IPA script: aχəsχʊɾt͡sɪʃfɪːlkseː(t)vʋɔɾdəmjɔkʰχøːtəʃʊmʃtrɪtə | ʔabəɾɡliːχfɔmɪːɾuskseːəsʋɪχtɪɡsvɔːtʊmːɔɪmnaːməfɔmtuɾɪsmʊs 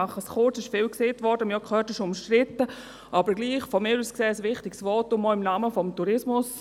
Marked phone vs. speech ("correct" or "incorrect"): correct